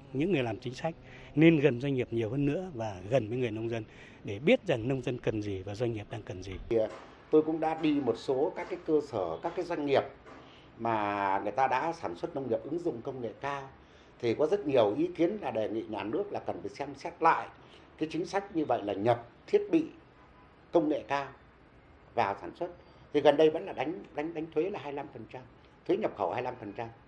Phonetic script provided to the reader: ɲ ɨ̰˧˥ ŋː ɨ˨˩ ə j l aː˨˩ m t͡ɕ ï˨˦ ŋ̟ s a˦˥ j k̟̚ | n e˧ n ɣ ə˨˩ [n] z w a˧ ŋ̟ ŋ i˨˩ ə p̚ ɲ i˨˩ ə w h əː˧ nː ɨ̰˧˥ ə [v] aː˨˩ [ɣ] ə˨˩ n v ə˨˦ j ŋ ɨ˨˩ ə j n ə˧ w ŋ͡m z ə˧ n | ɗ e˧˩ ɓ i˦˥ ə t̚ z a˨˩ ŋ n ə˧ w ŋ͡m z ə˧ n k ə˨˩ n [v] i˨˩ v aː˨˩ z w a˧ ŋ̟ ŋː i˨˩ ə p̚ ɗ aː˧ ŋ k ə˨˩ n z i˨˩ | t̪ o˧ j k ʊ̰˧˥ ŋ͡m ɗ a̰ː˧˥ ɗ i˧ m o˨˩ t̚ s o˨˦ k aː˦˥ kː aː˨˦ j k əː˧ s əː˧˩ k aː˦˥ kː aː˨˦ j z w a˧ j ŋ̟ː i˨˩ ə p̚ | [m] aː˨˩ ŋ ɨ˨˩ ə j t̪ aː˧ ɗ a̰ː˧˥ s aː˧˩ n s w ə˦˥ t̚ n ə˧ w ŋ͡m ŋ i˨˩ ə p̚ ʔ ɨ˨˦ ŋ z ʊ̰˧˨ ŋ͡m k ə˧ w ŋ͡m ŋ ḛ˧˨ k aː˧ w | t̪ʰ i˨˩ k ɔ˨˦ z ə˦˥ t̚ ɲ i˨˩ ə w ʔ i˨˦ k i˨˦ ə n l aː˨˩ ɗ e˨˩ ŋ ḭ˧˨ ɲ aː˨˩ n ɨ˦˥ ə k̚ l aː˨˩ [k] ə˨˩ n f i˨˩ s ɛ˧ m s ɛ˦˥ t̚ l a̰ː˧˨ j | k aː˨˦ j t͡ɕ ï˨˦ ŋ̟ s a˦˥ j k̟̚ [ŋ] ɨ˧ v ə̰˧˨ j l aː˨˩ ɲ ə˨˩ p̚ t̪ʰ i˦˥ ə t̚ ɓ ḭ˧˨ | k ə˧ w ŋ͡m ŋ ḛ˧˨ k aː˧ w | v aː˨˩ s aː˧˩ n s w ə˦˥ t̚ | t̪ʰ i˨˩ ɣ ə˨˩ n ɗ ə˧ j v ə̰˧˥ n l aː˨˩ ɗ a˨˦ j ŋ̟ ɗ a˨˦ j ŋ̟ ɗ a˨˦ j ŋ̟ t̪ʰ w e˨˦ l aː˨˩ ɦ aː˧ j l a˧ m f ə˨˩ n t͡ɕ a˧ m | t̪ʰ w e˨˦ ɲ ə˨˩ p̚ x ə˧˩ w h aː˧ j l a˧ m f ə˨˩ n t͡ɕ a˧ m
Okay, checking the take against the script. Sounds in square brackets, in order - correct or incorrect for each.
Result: correct, correct, correct, incorrect, correct, correct, incorrect

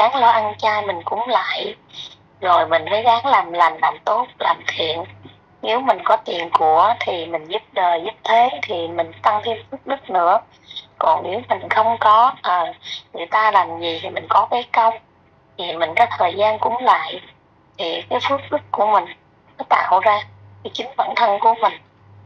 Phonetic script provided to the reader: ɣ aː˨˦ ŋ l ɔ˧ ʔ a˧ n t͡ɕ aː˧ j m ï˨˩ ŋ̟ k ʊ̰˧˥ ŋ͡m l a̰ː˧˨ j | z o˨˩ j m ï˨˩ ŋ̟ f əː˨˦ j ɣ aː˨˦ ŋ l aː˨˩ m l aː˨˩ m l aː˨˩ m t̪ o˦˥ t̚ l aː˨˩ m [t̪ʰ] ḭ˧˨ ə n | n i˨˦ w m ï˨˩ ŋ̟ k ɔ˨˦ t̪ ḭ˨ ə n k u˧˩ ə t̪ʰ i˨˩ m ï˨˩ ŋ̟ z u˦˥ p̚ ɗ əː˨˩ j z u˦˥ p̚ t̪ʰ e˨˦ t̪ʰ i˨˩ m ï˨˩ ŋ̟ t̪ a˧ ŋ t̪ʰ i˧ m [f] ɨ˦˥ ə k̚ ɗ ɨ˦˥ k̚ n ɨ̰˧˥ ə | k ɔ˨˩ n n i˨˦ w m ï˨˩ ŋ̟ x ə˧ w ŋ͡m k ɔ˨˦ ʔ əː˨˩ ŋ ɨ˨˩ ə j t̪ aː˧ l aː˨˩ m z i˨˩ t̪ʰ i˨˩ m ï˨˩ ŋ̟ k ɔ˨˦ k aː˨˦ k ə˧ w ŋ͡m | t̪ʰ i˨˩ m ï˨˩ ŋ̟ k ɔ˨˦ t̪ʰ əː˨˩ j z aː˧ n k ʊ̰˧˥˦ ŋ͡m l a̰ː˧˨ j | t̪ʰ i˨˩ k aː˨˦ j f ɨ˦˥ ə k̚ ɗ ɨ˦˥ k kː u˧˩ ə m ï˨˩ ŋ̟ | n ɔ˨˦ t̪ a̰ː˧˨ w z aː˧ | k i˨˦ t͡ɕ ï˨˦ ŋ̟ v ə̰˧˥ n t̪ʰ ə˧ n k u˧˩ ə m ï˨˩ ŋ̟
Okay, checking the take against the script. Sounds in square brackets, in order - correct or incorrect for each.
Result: correct, correct

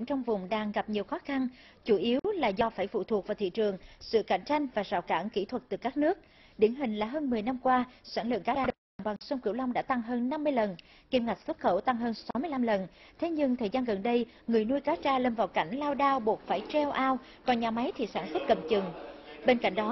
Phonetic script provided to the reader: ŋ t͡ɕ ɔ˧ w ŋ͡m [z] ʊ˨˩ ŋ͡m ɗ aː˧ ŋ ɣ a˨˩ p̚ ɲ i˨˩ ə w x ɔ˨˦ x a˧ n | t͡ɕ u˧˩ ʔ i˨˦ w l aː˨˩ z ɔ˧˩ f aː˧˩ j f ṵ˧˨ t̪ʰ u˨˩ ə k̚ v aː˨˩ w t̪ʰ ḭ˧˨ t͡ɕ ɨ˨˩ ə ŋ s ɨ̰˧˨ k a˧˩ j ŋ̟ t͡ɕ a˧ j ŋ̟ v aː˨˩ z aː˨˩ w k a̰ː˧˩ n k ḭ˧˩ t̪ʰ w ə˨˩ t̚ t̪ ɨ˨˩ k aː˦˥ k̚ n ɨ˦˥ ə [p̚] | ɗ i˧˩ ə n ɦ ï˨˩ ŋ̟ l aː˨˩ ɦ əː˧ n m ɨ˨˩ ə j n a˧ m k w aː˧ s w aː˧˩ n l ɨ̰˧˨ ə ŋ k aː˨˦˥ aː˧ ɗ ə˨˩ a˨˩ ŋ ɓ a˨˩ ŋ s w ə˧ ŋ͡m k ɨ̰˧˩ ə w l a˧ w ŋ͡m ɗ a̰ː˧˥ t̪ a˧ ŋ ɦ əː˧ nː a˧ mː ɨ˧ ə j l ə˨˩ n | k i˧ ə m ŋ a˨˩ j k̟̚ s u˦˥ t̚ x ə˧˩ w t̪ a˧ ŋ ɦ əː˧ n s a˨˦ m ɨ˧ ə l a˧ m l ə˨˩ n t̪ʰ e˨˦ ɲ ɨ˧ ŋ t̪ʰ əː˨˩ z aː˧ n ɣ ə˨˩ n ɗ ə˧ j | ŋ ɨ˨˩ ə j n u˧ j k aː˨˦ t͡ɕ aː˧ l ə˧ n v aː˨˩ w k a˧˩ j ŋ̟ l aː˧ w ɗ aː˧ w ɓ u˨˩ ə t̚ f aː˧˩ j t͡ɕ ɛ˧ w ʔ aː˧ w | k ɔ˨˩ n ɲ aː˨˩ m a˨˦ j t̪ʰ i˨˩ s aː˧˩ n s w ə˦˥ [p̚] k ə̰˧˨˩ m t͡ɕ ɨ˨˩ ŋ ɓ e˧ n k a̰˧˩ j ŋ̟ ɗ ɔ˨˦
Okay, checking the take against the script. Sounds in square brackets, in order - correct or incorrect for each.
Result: incorrect, incorrect, incorrect

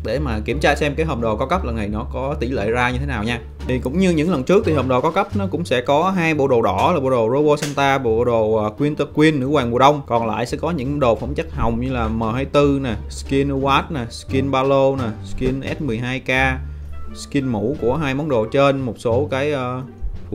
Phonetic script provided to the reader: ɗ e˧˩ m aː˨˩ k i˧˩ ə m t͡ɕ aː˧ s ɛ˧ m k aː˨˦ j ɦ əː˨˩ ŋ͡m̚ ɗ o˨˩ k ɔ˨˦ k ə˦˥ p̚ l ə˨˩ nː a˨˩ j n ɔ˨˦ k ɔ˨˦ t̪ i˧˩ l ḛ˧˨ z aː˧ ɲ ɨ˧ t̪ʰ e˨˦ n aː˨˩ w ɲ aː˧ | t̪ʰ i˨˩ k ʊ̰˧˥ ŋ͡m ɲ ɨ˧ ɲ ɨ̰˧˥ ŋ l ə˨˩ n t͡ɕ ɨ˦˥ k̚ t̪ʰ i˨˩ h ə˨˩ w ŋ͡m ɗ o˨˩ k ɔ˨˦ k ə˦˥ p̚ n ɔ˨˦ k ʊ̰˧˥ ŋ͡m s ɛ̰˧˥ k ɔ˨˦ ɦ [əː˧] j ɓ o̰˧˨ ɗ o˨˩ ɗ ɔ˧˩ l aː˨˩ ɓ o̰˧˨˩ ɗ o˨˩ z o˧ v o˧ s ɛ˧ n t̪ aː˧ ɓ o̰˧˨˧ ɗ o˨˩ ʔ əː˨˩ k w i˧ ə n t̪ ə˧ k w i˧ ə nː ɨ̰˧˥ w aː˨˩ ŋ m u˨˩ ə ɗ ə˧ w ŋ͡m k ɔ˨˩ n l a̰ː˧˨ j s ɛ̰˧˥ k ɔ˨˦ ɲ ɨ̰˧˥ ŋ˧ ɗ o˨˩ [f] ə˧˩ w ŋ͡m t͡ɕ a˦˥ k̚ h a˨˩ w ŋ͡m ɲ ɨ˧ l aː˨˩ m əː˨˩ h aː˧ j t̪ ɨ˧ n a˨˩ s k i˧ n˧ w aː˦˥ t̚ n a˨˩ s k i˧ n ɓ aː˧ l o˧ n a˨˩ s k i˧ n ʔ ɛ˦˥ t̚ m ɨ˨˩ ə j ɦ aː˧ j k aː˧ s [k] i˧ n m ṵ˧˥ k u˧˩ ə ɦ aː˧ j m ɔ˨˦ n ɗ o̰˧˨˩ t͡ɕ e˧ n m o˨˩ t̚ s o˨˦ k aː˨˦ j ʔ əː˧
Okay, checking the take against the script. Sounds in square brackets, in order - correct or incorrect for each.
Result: incorrect, correct, correct

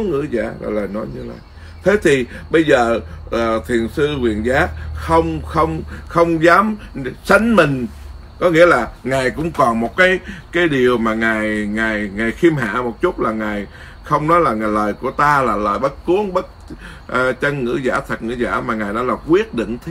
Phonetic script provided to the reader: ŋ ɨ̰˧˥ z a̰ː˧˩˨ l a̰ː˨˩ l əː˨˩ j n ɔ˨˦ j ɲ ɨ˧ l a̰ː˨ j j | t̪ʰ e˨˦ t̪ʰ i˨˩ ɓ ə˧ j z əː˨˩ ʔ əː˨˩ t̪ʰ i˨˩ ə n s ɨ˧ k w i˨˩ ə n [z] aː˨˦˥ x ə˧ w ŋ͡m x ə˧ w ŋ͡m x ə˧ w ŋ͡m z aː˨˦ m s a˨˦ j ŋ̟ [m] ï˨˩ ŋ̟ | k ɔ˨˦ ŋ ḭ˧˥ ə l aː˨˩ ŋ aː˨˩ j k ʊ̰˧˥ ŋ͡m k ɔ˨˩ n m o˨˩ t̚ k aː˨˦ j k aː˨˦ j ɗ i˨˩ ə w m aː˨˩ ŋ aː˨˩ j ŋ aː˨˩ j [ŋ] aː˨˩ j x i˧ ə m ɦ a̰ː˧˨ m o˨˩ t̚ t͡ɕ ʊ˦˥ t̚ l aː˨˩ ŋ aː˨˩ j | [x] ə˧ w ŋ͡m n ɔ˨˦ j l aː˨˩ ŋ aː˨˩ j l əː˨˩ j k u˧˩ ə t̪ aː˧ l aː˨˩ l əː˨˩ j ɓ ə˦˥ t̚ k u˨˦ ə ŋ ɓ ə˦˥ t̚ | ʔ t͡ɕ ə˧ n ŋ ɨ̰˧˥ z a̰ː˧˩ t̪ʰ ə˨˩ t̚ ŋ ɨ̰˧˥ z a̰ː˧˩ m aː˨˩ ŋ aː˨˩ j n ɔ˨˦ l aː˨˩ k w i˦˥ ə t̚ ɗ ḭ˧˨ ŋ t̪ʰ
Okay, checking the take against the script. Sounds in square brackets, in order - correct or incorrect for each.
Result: correct, correct, correct, correct

